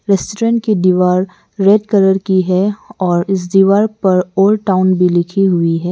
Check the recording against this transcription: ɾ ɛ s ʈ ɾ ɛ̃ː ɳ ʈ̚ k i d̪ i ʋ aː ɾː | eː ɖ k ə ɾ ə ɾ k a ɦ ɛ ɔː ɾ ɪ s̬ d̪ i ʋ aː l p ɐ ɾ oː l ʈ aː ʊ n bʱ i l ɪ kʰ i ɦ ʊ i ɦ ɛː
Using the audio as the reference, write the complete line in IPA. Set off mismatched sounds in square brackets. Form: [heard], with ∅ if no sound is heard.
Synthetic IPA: ɾ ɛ s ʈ ɾ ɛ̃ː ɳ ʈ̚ k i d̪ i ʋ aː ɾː | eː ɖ k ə ɾ ə ɾ k [i] ɦ ɛ ɔː ɾ ɪ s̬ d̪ i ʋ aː [ɾ] p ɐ ɾ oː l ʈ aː ʊ n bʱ i l ɪ kʰ i ɦ ʊ i ɦ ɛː

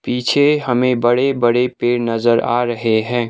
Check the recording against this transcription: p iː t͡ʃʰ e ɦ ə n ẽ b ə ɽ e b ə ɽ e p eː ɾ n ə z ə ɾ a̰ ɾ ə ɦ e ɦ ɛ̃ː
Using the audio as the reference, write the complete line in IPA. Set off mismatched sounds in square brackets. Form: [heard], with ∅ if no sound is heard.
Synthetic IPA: p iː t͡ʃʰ e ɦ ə [m] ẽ b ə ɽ e b ə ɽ e p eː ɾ n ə z ə ɾ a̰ ɾ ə ɦ e ɦ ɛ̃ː

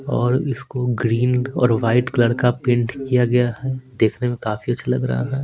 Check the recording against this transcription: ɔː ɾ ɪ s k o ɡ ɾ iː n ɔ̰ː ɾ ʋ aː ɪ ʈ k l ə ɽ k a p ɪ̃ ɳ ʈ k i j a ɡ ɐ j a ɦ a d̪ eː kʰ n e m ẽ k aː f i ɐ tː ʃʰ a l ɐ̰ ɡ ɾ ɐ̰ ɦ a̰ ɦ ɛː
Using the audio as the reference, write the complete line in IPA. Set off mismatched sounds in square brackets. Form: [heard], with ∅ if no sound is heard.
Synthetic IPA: ɔː ɾ ɪ s k o ɡ ɾ iː n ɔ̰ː ɾ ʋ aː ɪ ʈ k l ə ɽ k a p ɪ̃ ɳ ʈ k i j a ɡ ɐ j a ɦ [ɛ] d̪ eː kʰ n e m ẽ k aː f i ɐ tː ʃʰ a l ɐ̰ ɡ ɾ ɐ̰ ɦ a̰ ɦ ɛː

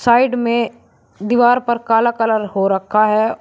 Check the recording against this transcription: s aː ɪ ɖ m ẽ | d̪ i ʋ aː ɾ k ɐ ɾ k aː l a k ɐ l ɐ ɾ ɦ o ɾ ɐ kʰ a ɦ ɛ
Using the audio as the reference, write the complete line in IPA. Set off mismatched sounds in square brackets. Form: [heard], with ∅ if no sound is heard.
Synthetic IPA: s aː ɪ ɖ m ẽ | d̪ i ʋ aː ɾ [p] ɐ ɾ k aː l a k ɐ l [ə] ɾ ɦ o ɾ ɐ kʰ a ɦ ɛ

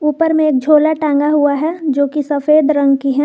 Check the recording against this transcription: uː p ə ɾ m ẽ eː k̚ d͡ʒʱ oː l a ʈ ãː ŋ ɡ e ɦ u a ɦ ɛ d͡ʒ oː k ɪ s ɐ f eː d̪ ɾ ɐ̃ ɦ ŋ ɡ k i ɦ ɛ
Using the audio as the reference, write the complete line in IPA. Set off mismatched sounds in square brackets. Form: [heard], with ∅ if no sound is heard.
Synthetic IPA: uː p ə ɾ m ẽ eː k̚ d͡ʒʱ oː l a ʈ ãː ŋ ɡ [a] ɦ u a ɦ ɛ d͡ʒ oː k [i] s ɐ f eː d̪ ɾ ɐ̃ [∅] ŋ ɡ k i ɦ ɛ

